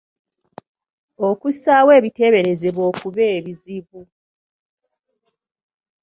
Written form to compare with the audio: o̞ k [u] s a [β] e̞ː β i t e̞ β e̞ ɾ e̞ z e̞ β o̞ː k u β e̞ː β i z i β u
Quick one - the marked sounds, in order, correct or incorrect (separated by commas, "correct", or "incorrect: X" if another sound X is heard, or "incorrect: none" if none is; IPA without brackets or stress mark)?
correct, incorrect: w